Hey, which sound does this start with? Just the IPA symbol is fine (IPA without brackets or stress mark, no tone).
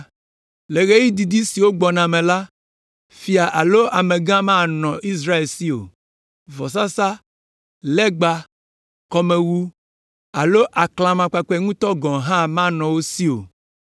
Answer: l